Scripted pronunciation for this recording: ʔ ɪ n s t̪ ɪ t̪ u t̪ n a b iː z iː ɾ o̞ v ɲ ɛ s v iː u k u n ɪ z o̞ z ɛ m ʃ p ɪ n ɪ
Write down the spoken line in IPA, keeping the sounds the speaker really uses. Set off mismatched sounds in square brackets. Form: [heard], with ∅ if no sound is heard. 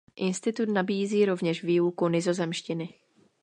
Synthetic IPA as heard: ʔ ɪ n s t̪ ɪ t̪ u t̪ n a b iː z iː ɾ o̞ v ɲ ɛ [ʃ] v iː u k u n ɪ z o̞ z ɛ m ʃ [c] ɪ n ɪ